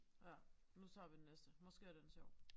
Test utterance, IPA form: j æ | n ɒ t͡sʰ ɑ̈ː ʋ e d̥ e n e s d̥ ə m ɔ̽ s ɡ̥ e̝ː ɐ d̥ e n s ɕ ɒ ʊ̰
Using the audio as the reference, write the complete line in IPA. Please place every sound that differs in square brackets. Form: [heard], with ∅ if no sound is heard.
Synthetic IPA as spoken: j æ | n [u] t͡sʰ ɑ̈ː ʋ [i] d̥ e n e s d̥ ə m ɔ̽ s ɡ̥ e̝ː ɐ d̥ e n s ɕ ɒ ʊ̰